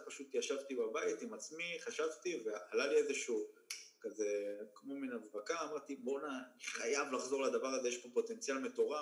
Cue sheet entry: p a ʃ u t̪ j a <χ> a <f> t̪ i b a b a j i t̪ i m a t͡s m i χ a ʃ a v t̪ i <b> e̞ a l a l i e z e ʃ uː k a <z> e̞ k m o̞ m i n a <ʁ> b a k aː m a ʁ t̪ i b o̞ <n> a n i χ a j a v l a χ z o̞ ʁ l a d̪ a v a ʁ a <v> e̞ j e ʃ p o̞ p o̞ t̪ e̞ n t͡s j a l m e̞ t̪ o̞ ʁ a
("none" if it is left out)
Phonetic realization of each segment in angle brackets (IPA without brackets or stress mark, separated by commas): ʃ, v, v, z, v, n, z